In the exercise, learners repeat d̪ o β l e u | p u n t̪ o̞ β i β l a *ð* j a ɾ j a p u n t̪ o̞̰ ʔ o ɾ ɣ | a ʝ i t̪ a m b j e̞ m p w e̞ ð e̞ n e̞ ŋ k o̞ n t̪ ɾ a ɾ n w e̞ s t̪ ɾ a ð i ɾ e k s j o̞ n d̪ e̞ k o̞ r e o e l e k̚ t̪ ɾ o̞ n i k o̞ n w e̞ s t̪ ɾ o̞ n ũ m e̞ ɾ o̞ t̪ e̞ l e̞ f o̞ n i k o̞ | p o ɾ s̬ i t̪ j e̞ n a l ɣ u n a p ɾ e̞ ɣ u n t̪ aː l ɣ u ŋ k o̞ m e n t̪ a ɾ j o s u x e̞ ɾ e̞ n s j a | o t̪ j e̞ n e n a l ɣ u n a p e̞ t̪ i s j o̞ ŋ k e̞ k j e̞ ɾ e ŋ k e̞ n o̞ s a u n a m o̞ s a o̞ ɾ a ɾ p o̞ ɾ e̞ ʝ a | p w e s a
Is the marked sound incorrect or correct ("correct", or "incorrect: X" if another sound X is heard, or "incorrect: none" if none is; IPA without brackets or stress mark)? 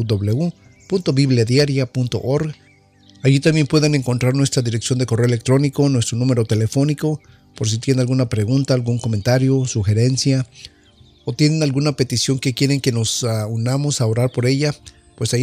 correct